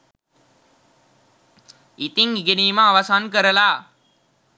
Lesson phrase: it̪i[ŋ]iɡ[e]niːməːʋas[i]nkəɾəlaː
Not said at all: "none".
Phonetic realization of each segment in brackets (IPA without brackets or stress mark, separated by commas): ŋ, e, a